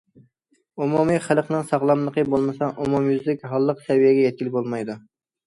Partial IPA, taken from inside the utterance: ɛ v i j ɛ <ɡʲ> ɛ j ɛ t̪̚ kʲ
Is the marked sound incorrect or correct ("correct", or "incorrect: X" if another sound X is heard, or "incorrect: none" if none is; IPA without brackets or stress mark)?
correct